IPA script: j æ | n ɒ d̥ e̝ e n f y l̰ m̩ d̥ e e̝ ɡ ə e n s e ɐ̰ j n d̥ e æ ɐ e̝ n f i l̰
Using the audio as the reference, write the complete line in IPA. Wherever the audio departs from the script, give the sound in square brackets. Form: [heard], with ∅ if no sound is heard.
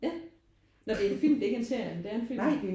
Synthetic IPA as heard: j æ | n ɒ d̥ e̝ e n f [i] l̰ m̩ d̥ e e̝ ɡ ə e n s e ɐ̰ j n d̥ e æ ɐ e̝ n f i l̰